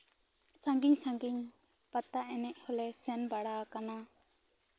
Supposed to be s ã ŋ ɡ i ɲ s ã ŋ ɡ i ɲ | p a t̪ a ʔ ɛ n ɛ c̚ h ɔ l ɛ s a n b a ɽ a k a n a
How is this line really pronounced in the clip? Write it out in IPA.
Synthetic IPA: s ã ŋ ɡ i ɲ s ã ŋ ɡ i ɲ | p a t̪ a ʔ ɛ n ɛ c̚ h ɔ l ɛ s ɛ n b a ɽ a k a n a